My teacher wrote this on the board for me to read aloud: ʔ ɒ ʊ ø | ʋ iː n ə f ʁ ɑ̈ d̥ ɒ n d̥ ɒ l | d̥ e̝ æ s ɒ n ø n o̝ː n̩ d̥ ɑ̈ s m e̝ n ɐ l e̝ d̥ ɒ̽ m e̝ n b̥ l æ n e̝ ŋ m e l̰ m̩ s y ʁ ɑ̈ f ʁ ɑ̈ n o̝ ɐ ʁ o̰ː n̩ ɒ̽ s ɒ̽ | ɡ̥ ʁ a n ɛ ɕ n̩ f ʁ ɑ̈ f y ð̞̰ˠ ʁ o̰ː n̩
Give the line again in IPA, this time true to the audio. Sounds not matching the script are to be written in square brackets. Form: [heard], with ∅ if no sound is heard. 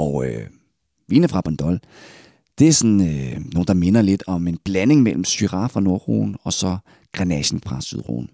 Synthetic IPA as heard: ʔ ɒ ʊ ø | ʋ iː n ə f ʁ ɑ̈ [b̥] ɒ n d̥ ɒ l | d̥ e̝ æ s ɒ n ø n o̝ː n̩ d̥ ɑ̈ [∅] m e̝ n ɐ l e̝ d̥ ɒ̽ m e̝ n b̥ l æ n e̝ ŋ m e l̰ m̩ s y ʁ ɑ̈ f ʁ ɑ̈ n o̝ ɐ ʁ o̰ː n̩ ɒ̽ s ɒ̽ | ɡ̥ ʁ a n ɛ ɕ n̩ f ʁ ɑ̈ [s] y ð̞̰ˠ ʁ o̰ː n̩